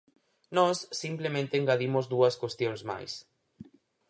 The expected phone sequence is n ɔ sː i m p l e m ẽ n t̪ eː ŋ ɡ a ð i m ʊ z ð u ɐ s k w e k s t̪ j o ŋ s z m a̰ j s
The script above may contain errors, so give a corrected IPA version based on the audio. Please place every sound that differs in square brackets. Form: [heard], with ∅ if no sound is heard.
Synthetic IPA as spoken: n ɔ sː i m p l e m ẽ n t̪ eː ŋ ɡ a ð i m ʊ z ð u ɐ s k w e [∅] s t̪ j o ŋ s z m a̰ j s